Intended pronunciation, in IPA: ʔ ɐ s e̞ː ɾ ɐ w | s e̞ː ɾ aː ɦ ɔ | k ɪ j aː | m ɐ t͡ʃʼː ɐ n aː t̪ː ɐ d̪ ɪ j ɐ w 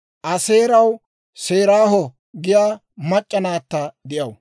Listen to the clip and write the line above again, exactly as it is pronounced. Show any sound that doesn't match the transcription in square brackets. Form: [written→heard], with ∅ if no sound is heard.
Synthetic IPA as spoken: ʔ ɐ s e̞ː ɾ ɐ w | s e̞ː ɾ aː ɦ ɔ | [k→ɡ] ɪ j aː | m ɐ t͡ʃʼː ɐ n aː t̪ː ɐ d̪ ɪ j ɐ w